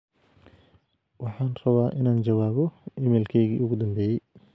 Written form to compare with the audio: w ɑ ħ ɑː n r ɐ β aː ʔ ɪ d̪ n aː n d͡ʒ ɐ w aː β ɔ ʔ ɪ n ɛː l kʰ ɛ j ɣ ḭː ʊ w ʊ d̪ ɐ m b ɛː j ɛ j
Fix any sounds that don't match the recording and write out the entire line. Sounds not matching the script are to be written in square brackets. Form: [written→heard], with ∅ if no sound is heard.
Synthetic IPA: w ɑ ħ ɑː n r ɐ β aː ʔ ɪ [d̪→∅] n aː n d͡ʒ ɐ w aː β ɔ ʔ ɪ [n→m] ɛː l kʰ ɛ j ɣ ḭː ʊ [w→ɣ] ʊ d̪ ɐ m b ɛː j ɛ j